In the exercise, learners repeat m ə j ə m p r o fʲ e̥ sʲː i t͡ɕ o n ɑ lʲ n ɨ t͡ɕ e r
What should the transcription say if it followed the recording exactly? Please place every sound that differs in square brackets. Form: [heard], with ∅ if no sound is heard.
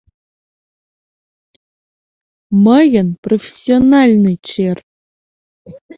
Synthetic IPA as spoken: m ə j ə [n] p r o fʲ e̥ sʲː i [∅] o n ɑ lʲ n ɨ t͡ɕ e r